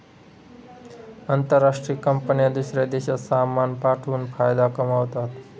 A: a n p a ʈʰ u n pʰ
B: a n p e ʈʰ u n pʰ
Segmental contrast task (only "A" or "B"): A